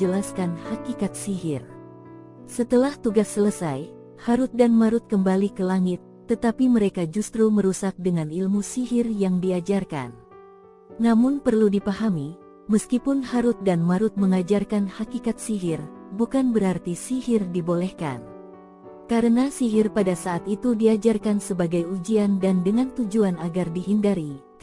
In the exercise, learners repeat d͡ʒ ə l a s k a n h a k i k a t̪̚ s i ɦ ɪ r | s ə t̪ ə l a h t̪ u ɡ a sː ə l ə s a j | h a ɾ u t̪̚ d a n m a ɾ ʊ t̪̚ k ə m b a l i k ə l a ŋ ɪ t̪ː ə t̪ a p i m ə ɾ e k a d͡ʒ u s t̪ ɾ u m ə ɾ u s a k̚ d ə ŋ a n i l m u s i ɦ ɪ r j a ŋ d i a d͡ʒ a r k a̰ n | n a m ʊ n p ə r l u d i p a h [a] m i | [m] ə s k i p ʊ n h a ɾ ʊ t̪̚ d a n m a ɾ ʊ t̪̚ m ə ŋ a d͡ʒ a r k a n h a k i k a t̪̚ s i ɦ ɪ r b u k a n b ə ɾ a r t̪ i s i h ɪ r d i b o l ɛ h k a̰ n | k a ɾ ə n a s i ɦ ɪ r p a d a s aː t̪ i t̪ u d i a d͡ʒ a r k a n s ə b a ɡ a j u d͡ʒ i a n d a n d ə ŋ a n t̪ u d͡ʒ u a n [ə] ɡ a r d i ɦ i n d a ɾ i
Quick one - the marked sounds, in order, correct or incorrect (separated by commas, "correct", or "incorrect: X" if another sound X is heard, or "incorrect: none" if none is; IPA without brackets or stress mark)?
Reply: correct, correct, incorrect: a